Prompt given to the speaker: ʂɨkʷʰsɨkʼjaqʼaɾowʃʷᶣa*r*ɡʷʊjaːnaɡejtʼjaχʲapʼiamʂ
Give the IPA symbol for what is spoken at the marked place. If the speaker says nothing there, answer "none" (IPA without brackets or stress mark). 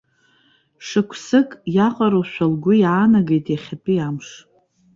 l